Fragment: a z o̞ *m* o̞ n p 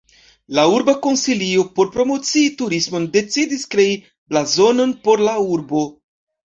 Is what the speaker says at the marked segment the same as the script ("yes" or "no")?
no